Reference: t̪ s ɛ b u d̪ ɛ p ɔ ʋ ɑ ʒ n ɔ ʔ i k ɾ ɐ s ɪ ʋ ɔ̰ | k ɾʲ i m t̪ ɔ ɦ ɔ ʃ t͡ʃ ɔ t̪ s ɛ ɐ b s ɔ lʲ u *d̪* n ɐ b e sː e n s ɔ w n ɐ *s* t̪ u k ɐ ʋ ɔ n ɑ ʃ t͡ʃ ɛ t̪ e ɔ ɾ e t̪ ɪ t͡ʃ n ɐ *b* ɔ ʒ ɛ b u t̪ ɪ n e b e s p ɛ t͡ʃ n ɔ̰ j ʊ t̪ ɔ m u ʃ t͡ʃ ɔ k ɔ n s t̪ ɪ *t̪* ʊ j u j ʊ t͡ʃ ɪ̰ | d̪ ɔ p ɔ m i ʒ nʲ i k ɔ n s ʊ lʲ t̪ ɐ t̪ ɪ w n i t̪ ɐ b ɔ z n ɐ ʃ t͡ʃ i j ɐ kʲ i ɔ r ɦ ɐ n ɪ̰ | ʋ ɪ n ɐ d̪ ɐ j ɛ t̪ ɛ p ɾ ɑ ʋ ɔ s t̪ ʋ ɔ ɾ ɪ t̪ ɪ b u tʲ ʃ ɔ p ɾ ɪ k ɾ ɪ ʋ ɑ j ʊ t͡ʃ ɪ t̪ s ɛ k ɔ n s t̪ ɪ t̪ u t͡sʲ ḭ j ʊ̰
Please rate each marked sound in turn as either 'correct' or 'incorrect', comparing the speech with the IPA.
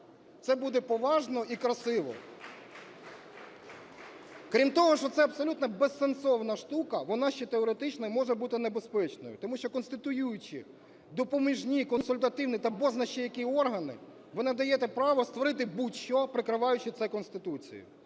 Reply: incorrect, incorrect, incorrect, correct

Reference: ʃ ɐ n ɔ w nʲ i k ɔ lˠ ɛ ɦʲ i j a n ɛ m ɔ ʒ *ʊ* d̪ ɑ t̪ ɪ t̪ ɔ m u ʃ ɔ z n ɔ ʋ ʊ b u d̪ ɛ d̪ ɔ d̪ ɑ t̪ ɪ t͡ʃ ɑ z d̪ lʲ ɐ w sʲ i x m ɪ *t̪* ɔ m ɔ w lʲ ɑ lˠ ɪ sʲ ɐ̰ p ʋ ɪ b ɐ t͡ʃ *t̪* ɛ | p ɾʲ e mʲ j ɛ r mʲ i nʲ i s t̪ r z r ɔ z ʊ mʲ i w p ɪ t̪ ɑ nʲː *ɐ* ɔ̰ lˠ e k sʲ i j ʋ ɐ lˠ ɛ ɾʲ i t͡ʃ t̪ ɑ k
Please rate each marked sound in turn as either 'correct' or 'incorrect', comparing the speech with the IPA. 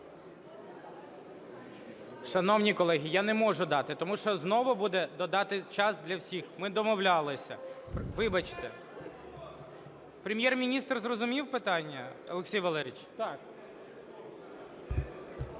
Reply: correct, incorrect, correct, correct

